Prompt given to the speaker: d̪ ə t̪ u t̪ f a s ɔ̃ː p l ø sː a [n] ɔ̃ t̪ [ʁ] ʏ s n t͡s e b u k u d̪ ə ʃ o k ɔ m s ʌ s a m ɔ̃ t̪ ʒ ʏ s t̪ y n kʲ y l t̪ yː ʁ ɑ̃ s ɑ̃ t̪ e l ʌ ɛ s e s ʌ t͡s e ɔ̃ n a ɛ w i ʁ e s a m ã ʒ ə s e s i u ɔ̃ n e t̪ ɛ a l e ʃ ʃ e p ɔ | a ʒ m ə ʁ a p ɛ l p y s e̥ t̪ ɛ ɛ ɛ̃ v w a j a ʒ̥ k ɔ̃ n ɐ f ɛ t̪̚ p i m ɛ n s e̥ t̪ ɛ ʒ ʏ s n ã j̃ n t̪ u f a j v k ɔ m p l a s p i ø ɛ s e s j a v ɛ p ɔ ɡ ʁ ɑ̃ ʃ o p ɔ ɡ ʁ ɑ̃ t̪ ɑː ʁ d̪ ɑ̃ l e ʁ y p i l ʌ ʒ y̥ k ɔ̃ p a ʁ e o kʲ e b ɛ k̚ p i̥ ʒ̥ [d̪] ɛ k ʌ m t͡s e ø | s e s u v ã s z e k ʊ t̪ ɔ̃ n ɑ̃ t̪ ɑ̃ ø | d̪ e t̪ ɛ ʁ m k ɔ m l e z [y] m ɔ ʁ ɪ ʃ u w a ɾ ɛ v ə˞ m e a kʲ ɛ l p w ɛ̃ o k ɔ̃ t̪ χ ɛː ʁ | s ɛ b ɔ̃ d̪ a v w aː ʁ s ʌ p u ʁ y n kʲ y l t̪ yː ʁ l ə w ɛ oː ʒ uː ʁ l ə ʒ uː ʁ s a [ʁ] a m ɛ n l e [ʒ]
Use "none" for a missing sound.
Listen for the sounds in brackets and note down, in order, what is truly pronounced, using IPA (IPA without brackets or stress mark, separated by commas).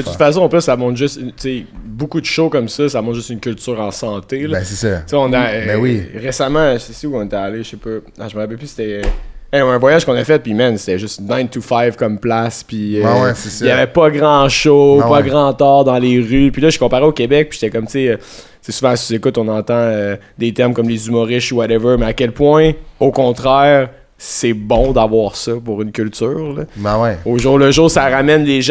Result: m, ʒ, t̪, y, ʁ, ʒ